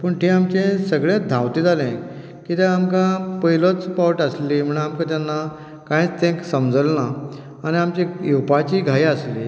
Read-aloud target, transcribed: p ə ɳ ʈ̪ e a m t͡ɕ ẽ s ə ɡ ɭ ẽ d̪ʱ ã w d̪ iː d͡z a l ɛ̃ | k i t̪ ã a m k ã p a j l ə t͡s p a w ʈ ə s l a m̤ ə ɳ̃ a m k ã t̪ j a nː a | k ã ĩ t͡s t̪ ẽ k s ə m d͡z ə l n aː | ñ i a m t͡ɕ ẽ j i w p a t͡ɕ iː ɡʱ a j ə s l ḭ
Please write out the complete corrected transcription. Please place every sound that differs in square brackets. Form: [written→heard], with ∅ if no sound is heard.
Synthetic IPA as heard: p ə ɳ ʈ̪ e a m t͡ɕ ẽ s ə ɡ ɭ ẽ d̪ʱ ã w [d̪→t̪] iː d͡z a l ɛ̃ | k i t̪ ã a m k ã p [a→ə] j l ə t͡s p a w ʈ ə s l [a→i] m̤ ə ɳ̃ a m k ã t̪ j a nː a | k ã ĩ t͡s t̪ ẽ k s ə m d͡z ə l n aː | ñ i a m t͡ɕ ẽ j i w p a t͡ɕ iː ɡʱ a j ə s l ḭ